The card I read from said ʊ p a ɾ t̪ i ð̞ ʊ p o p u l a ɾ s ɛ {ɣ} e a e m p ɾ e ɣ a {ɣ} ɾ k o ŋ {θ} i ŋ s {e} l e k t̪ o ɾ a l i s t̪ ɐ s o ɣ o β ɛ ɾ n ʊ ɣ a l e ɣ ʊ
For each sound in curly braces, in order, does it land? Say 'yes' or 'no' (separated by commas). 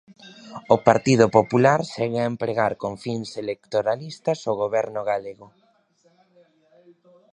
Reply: yes, no, no, yes